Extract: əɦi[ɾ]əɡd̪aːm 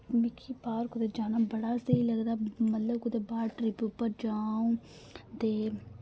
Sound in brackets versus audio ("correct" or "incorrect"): incorrect